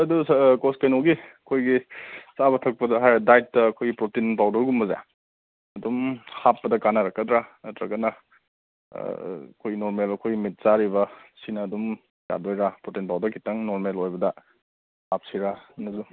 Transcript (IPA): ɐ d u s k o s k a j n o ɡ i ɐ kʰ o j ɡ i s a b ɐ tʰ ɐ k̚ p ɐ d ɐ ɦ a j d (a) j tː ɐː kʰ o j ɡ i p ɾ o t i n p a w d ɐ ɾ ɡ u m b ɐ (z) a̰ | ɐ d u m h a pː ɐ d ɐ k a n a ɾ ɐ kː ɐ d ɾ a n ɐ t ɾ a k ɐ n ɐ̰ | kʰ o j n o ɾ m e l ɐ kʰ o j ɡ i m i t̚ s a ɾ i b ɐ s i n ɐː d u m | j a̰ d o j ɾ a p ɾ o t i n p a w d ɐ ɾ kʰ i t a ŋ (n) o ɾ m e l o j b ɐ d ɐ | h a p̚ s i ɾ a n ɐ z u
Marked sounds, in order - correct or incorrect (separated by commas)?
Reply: correct, correct, correct